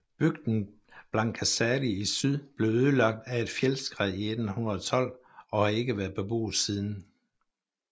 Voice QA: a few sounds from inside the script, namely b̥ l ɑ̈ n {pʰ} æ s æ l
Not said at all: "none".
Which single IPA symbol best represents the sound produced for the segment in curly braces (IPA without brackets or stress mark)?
kʰ